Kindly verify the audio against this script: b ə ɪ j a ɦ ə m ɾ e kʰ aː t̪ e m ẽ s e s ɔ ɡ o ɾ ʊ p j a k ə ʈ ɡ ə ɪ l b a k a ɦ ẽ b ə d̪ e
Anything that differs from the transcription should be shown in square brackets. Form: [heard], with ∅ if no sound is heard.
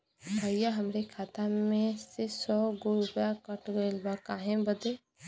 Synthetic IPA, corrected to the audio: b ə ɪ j a ɦ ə m ɾ e kʰ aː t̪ [a] m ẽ s e s ɔ ɡ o ɾ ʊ p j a k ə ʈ ɡ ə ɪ l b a k a ɦ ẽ b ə d̪ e